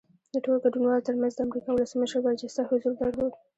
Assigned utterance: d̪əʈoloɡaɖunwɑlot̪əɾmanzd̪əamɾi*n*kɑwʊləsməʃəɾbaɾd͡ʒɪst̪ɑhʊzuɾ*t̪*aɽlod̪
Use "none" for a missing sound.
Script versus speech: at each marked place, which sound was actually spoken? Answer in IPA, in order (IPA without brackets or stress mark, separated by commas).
none, d̪